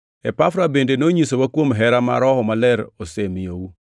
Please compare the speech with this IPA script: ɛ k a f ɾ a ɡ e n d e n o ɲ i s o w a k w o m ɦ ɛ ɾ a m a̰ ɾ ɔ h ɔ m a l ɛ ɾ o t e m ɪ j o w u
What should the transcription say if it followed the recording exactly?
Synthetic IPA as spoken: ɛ p a f ɾ a b e n d e n o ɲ i s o w a k w o m ɦ ɛ ɾ a m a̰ ɾ ɔ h ɔ m a l ɛ ɾ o s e m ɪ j o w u